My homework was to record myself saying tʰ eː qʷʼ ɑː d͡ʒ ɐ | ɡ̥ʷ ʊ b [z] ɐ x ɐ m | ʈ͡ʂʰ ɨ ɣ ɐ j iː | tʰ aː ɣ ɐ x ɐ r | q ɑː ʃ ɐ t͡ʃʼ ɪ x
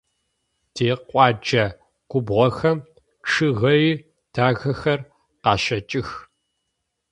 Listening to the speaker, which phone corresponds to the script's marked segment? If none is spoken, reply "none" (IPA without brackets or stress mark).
ʁ